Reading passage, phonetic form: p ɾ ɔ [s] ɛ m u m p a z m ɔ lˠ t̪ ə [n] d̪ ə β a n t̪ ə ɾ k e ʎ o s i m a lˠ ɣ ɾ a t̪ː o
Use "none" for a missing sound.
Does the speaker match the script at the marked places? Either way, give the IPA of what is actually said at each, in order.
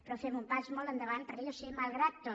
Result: f, n

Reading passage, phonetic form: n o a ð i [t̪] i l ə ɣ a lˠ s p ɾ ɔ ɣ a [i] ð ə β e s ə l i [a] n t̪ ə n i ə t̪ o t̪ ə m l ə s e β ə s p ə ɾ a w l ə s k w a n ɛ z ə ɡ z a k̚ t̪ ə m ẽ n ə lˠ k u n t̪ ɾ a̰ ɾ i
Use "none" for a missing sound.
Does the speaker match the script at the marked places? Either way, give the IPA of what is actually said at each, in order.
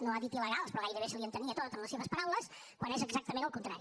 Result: t̪, j, ə

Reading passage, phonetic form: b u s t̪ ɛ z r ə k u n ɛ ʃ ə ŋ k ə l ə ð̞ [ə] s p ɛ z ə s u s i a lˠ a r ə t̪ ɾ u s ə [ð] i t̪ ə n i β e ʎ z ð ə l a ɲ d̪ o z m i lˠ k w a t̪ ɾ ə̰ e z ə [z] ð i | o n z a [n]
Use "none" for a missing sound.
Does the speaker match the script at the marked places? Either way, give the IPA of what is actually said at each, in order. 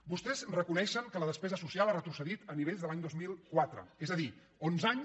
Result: ə, ð, none, ɲ

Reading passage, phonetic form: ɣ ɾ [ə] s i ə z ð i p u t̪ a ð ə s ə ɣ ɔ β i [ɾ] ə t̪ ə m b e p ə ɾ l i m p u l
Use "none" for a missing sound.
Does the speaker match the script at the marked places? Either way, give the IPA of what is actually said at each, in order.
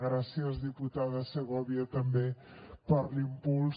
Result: a, none

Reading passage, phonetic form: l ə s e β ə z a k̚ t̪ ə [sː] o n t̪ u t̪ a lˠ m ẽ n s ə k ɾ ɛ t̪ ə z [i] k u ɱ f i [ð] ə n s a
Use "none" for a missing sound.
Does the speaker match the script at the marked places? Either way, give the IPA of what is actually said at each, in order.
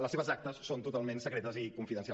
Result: sː, i, ð

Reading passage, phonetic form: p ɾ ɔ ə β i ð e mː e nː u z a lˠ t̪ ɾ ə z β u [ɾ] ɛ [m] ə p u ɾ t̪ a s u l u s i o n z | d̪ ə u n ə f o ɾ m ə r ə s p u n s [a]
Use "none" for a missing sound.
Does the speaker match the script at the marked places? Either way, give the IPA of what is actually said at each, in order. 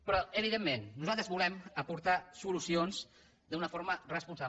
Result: l, m, a

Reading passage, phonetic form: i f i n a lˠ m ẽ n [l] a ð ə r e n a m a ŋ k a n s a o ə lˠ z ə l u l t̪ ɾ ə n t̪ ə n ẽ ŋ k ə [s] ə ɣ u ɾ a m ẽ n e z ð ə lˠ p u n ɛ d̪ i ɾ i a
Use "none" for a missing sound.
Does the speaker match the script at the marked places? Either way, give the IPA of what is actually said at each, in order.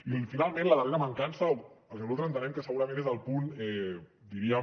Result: l, s

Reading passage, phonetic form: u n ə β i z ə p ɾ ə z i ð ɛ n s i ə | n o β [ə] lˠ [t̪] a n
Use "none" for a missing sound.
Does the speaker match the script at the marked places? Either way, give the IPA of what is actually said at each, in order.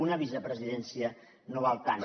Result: a, t̪

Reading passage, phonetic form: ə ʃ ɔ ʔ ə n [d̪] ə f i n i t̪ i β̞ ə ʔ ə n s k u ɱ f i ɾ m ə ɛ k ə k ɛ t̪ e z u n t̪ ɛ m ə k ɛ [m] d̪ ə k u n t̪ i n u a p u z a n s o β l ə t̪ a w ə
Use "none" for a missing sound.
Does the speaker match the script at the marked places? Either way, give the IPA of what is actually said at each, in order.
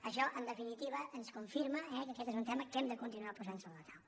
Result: d̪, m

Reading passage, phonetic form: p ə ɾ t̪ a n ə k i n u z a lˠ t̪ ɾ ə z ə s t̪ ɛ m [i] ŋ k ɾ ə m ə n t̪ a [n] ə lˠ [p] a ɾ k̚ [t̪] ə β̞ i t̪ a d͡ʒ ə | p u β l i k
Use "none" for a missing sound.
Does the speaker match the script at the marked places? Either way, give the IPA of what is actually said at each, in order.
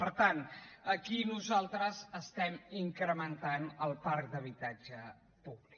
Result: i, n, p, d̪

